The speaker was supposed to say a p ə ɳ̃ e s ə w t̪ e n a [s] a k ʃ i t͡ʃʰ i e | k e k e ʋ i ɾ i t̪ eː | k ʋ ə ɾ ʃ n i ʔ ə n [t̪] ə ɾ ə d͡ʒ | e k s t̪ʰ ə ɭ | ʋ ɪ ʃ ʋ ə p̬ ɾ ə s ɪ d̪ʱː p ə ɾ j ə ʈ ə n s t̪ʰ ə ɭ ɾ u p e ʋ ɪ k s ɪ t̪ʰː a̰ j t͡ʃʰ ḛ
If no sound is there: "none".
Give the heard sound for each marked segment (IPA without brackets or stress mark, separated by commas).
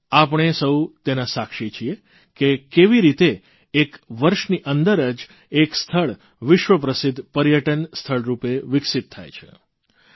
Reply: s, d̪